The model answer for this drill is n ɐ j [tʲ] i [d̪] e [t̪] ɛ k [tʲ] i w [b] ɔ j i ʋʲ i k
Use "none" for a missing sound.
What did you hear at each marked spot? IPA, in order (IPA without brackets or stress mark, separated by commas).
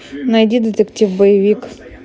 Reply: dʲ, d̪, t̪, tʲ, b